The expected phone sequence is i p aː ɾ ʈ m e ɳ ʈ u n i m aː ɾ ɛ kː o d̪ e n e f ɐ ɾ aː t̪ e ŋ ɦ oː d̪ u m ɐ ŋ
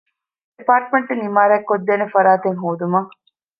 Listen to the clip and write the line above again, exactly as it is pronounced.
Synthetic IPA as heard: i p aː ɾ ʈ m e ɳ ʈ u n i m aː ɾ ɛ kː o d̪ː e n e f ɐ ɾ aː t̪ e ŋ ɦ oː d̪ u m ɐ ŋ